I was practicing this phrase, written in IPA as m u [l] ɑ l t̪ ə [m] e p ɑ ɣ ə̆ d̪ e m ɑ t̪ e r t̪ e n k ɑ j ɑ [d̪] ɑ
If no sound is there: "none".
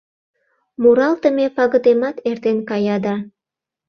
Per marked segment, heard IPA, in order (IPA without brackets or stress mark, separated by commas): ɾ, m, d̪